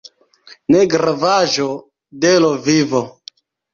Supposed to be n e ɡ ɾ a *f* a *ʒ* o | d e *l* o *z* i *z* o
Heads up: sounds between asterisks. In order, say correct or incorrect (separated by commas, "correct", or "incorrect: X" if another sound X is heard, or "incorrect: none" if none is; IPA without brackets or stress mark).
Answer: incorrect: v, correct, correct, incorrect: v, incorrect: v